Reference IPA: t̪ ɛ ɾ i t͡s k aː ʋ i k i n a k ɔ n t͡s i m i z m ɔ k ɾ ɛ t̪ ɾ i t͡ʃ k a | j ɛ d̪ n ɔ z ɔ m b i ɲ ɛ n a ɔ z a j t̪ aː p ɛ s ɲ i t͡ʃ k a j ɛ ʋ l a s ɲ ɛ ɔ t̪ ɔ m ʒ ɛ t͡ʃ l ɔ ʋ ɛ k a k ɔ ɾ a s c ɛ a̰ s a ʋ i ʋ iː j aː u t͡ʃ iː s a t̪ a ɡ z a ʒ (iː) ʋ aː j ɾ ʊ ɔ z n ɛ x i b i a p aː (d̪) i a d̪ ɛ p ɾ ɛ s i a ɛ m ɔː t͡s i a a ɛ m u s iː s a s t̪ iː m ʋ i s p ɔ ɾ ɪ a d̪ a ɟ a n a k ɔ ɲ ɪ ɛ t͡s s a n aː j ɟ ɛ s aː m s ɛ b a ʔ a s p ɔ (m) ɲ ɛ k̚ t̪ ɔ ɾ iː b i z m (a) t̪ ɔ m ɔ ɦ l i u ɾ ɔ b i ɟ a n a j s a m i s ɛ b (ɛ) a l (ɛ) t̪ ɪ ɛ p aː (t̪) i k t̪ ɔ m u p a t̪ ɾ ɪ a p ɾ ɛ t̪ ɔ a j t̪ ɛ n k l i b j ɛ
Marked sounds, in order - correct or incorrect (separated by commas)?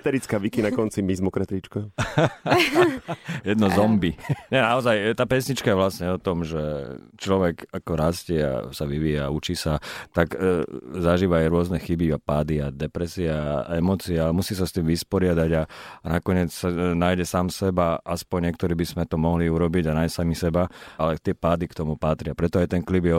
correct, correct, incorrect, incorrect, incorrect, correct, incorrect